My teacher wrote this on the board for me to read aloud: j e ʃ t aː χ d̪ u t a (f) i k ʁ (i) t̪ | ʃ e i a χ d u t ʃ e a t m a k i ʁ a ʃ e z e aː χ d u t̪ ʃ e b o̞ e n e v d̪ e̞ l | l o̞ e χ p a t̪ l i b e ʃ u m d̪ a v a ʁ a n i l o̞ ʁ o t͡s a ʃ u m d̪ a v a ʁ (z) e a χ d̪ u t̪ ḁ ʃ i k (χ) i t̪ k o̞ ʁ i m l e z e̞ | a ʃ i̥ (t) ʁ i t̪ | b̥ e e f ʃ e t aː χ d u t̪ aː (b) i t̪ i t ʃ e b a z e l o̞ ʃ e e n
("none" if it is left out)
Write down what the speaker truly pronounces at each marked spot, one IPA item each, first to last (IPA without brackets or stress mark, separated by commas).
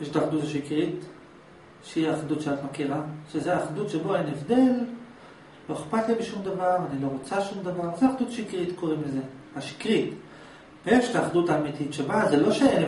ʃ, i, z, ʁ, k, m